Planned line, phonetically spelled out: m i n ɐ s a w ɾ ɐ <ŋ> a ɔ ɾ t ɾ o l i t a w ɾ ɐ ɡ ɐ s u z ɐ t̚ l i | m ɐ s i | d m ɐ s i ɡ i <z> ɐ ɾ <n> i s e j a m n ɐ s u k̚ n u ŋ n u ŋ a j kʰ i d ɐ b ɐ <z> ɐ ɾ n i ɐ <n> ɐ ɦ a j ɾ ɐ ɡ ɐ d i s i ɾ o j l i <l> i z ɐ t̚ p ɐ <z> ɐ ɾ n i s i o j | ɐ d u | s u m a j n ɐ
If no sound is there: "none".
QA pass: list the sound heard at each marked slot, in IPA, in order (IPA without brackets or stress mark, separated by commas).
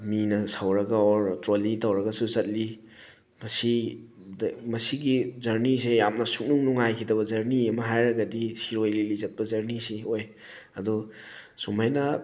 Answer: ɡ, z, n, z, m, l, z